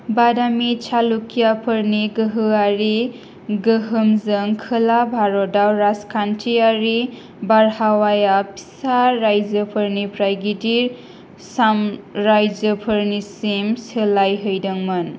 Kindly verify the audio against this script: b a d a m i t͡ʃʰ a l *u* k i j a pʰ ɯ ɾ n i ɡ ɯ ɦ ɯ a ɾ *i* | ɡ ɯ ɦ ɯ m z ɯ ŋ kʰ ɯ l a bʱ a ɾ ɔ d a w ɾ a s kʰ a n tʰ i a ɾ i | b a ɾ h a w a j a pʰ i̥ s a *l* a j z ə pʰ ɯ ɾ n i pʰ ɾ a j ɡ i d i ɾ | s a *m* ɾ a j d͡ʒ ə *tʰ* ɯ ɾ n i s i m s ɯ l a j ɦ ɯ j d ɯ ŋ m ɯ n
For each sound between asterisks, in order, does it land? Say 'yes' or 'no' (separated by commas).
yes, yes, no, yes, no